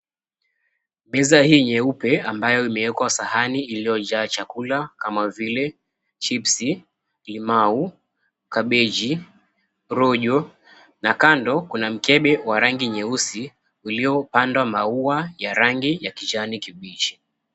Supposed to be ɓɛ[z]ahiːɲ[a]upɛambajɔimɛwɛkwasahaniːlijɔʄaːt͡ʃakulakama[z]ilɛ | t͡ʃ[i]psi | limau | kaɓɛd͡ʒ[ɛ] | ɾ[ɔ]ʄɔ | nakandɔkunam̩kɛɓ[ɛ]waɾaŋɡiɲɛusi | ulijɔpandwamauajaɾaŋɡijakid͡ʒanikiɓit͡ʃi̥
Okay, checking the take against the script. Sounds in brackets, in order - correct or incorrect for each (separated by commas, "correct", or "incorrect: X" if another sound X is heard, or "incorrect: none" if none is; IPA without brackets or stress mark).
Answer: correct, incorrect: ɛ, incorrect: v, correct, incorrect: i, correct, correct